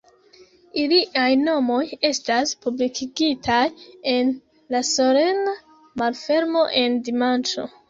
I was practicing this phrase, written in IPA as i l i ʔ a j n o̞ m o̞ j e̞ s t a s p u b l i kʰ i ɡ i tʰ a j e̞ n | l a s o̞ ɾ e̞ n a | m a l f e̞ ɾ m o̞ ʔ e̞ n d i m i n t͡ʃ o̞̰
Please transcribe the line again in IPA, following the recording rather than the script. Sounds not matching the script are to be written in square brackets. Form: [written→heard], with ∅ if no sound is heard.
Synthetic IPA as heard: i l i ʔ a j n o̞ m o̞ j e̞ s t a s p u b l i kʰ i ɡ i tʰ a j e̞ n | l a s o̞ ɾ e̞ n a | m a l f e̞ ɾ m o̞ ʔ e̞ n d i m [i→a] n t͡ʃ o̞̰